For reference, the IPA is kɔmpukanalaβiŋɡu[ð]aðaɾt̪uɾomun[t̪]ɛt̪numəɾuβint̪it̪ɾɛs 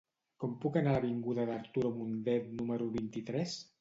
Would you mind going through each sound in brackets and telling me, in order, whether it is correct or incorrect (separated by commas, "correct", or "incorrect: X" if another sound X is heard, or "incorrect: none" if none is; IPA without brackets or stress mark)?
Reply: correct, incorrect: d̪